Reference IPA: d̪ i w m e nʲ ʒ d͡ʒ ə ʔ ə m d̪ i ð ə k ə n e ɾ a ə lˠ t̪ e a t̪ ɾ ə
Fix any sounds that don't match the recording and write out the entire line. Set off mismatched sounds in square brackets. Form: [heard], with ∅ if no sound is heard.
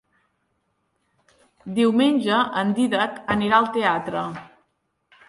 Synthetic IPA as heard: d̪ i w m e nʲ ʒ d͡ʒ ə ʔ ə [n] d̪ i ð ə k ə n [i] ɾ a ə lˠ t̪ e a t̪ ɾ ə

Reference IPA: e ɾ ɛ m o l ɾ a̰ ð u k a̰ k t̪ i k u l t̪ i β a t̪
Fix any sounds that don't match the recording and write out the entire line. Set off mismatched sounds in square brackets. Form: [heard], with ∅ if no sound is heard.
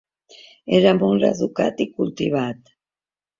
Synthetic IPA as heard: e ɾ [a] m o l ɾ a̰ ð u k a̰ [∅] t̪ i k u l t̪ i β a t̪

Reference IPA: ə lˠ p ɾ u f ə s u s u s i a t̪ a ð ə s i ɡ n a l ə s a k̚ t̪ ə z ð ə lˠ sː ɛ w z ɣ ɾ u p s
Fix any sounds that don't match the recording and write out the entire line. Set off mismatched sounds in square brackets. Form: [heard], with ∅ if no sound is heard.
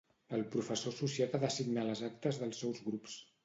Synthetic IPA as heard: ə lˠ p ɾ u f ə s [o] s u s i a t̪ a ð ə s i ɡ n a l ə [z] a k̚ t̪ ə z ð ə lˠ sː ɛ w z ɣ ɾ u p s

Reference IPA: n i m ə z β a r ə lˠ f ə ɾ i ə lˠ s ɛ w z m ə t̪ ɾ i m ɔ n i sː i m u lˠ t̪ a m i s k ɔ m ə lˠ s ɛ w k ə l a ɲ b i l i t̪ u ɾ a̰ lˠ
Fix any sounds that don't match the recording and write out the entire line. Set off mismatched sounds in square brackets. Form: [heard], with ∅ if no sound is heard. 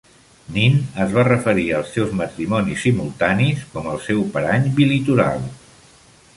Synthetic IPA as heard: n i [n] ə z β a r ə [∅] f ə ɾ i ə lˠ s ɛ w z m ə t̪ ɾ i m ɔ n i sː i m u lˠ t̪ a [n] i s k ɔ m ə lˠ s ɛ w [p] ə [ɾ] a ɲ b i l i t̪ u ɾ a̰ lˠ

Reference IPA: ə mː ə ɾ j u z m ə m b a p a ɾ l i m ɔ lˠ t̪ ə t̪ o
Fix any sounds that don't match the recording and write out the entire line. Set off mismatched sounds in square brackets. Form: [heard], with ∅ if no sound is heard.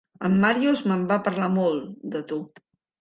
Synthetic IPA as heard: ə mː [a] ɾ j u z m ə m b a p [ə] ɾ l [a] m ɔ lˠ [d̪] ə t̪ [u]

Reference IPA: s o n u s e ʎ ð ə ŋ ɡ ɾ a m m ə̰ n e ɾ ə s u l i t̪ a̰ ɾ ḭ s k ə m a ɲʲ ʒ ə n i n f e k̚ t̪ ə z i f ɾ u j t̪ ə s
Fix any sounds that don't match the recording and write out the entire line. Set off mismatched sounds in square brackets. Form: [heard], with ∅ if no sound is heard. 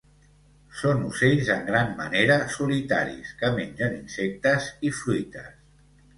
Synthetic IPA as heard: s o n u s e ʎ [z] ə ŋ ɡ ɾ a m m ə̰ n e ɾ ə s u l i t̪ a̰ ɾ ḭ s k ə m [e] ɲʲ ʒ ə n i n [s] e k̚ t̪ ə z i f ɾ u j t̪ ə s

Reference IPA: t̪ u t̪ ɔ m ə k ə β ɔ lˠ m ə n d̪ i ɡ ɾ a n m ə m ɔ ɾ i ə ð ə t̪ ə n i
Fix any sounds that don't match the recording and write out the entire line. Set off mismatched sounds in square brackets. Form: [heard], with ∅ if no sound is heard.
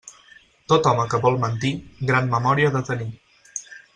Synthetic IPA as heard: t̪ [o] t̪ ɔ m ə k ə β ɔ lˠ m ə n [t̪] i ɡ ɾ a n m ə m ɔ ɾ i ə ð ə t̪ ə n i

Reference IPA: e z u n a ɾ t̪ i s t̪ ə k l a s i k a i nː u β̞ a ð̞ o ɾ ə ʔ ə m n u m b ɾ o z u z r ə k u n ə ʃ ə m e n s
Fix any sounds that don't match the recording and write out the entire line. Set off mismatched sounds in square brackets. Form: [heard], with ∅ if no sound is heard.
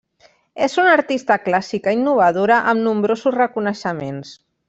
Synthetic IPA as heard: e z u n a ɾ t̪ i s t̪ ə k l a s i k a i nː u β̞ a ð̞ o ɾ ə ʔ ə m n u m b ɾ o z u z r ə k u n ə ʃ ə m e n s

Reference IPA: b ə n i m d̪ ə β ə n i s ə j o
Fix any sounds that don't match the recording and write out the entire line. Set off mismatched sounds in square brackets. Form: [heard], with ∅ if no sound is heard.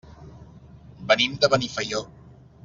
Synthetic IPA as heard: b ə n i m d̪ ə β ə n i [f] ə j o

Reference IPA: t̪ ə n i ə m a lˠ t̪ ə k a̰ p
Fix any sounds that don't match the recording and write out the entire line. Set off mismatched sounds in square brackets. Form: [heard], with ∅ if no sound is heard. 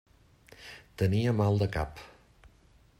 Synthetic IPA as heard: t̪ ə n i ə m a lˠ [d̪] ə k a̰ p

